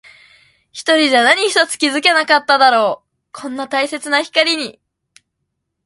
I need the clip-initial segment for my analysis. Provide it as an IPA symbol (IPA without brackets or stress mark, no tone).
ç